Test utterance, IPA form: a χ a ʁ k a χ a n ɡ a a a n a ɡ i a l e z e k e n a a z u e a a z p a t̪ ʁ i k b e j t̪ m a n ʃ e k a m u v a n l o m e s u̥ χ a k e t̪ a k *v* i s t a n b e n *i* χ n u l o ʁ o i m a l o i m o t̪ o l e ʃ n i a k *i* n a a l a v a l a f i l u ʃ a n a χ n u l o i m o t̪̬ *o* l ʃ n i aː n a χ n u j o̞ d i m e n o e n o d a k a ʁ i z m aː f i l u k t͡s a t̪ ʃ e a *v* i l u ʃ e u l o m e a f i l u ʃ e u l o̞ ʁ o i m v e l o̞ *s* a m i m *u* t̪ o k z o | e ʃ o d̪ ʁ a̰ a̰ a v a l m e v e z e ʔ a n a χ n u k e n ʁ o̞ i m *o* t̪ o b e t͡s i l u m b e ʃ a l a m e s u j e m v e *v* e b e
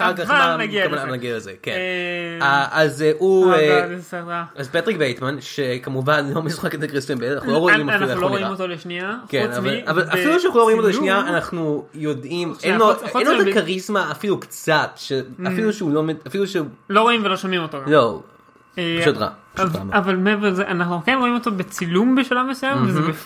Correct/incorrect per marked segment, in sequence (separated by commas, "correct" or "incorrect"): incorrect, incorrect, incorrect, correct, incorrect, incorrect, incorrect, correct, incorrect